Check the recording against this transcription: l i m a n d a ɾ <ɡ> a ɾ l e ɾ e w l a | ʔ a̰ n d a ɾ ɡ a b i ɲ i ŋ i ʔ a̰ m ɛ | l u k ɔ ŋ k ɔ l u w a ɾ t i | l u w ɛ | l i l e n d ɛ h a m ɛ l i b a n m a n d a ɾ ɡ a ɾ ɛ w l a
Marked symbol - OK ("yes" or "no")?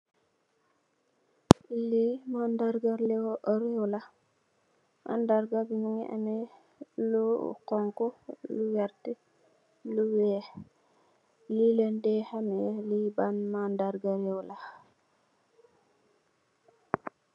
yes